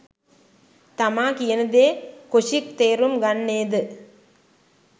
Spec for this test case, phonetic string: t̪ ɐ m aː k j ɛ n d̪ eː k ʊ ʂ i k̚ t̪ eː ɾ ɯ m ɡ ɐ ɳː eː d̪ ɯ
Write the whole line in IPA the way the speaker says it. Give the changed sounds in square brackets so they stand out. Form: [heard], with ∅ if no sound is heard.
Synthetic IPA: t̪ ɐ m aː k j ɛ n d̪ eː k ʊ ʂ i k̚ t̪ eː ɾ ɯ m ɡ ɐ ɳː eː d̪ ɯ

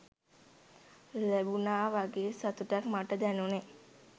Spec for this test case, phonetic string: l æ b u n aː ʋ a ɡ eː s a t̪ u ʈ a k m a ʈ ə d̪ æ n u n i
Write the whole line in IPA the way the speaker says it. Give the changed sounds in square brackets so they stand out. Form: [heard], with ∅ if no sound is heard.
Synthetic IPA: l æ b u n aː ʋ a ɡ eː s a t̪ u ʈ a k m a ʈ ə d̪ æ n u n [e]

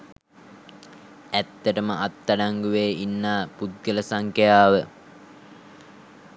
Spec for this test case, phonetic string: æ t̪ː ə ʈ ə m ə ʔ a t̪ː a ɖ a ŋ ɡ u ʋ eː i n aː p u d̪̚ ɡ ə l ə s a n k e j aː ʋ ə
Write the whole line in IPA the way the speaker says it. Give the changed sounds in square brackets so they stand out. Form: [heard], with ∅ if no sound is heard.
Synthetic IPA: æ t̪ː ə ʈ ə m ə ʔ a t̪ː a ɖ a ŋ ɡ u ʋ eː i [nː] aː p u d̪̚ ɡ ə l ə s a [ŋ] k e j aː ʋ ə

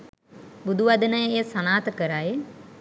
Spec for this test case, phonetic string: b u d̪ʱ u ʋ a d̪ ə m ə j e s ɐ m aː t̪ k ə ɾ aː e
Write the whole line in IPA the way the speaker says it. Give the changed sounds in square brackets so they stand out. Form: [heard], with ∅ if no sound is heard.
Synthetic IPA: b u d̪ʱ u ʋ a d̪ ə [n] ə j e s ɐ [n] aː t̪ k ə ɾ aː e

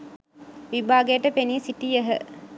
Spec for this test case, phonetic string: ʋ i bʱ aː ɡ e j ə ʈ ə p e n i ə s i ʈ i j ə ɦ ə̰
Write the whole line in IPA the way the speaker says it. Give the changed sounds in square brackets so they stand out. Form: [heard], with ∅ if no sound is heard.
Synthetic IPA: ʋ i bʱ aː ɡ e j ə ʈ ə p e n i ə s i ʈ i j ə ɦ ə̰

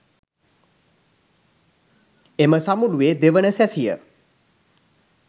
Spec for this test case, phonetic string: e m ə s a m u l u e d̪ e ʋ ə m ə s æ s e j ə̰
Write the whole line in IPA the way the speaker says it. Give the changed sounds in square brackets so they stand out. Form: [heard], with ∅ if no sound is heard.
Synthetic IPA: e m ə s a m u l u e d̪ e ʋ ə [n] ə s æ s [i] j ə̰

